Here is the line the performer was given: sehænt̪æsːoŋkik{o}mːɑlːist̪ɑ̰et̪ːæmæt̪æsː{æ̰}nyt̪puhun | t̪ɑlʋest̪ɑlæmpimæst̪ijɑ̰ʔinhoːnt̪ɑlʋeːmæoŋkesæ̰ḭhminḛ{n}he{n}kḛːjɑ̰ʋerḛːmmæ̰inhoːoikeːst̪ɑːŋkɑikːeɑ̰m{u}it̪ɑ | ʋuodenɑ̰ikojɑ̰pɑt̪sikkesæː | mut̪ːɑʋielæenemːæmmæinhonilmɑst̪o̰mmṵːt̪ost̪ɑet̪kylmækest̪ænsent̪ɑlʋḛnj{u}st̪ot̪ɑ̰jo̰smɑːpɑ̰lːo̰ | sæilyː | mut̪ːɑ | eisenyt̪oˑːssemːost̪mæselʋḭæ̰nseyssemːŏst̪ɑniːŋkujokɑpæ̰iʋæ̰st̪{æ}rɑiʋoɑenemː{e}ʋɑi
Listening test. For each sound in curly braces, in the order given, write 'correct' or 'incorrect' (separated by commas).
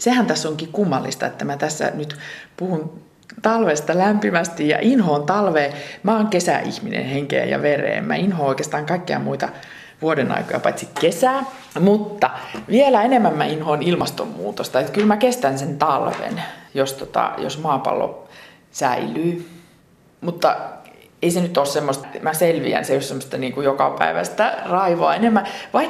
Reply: incorrect, correct, correct, incorrect, correct, incorrect, correct, incorrect